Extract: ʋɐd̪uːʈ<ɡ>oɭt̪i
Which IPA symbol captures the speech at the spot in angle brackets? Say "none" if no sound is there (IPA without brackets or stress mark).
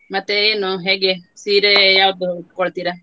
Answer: k